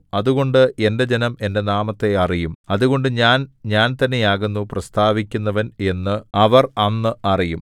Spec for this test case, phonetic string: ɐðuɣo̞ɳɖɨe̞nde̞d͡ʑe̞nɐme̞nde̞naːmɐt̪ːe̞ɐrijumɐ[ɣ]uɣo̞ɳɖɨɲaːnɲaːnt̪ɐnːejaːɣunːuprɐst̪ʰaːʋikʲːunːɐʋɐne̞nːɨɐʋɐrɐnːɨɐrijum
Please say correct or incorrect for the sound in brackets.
incorrect